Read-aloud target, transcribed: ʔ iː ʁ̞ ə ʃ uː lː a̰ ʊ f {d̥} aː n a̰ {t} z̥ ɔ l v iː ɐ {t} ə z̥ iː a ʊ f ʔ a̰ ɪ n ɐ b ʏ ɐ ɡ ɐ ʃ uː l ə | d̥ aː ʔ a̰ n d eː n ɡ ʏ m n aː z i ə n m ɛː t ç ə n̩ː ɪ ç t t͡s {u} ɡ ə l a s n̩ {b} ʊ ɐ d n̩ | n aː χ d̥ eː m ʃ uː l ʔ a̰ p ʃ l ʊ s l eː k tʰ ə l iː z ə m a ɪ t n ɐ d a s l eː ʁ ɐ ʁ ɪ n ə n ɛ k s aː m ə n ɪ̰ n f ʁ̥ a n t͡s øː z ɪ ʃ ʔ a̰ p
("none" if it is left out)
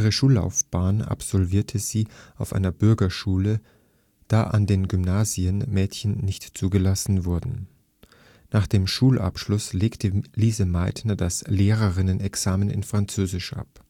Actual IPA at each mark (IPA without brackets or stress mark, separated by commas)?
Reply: b̥, p, tʰ, uː, v